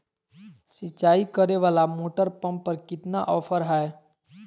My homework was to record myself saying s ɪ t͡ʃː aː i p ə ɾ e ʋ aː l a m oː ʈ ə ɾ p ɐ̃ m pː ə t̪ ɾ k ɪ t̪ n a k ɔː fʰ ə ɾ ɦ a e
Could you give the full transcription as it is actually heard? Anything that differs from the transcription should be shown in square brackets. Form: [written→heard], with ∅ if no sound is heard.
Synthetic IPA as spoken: s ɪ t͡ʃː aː i [p→k] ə ɾ e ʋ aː l a m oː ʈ ə ɾ p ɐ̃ m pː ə [t̪→∅] ɾ k ɪ t̪ n a [k→ʔ] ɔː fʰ ə ɾ ɦ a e